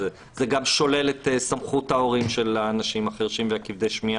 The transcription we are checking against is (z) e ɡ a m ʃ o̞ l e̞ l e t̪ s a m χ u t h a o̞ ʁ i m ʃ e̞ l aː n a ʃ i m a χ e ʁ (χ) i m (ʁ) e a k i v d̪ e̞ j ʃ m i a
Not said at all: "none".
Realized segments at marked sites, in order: z, ʃ, v

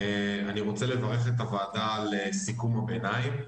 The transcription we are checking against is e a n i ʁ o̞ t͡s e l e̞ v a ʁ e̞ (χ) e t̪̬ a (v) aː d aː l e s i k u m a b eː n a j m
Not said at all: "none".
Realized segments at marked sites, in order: χ, v

